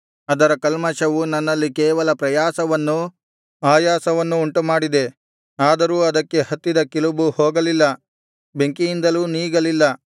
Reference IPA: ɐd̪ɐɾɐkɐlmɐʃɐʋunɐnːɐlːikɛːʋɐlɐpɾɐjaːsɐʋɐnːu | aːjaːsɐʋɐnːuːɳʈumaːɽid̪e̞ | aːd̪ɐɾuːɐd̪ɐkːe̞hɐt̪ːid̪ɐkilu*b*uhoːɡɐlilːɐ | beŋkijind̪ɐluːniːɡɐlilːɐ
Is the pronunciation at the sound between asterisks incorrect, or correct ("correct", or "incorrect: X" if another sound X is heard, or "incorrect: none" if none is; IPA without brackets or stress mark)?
correct